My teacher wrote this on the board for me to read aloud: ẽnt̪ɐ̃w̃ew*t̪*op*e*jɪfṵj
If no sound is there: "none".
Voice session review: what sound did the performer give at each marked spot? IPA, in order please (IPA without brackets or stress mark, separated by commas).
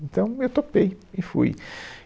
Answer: t̪, e